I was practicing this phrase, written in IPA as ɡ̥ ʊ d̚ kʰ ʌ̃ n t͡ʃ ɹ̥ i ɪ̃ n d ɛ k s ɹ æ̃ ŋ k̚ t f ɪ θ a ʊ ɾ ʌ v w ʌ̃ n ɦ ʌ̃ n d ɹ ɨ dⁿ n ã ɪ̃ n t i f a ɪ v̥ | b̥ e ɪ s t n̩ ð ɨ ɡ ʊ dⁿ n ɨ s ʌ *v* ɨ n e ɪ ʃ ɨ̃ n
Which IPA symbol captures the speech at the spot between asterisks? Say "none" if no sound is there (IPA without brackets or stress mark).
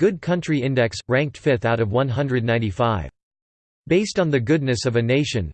v